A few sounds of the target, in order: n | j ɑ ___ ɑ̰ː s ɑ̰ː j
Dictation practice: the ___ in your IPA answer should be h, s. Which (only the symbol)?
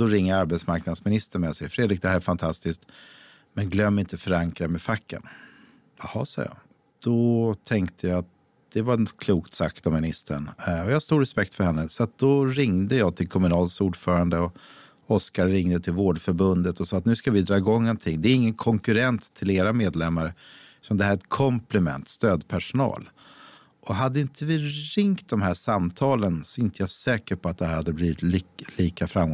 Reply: h